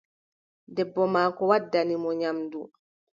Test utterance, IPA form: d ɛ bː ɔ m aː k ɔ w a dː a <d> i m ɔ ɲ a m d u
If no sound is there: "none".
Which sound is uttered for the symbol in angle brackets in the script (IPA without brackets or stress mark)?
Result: n